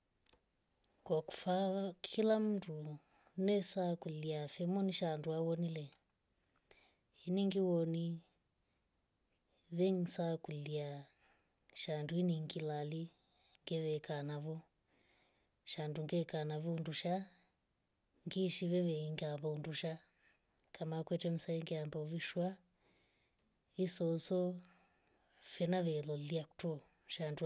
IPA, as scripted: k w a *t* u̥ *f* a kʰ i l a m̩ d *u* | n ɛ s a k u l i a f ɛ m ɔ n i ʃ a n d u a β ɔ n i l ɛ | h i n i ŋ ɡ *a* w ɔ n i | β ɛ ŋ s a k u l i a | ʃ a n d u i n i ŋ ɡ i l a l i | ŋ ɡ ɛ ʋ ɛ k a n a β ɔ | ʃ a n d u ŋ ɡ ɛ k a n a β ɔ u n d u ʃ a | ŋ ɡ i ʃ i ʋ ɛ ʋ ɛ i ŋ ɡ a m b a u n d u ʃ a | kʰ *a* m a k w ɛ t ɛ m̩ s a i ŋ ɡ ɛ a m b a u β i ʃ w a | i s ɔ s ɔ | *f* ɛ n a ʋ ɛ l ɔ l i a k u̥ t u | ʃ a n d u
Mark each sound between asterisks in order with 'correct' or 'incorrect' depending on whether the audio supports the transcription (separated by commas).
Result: incorrect, correct, correct, incorrect, correct, correct